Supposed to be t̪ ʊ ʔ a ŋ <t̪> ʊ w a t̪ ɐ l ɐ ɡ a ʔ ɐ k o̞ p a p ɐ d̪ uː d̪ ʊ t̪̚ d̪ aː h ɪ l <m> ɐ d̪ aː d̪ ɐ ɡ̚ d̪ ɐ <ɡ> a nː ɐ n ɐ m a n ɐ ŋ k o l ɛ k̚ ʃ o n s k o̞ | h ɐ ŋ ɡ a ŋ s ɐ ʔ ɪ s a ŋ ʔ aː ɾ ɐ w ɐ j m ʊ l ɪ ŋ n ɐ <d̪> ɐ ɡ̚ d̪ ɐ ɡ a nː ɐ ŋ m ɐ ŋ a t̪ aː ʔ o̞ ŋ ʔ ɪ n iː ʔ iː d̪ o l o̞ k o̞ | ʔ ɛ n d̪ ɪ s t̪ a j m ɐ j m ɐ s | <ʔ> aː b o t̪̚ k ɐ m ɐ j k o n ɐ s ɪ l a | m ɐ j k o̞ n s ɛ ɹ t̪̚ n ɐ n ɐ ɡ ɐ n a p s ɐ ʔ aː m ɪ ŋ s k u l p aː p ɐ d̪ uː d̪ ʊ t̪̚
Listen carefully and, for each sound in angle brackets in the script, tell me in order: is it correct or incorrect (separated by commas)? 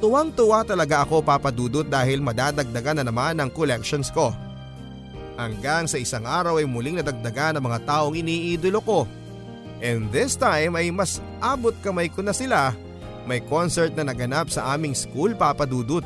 correct, correct, correct, correct, correct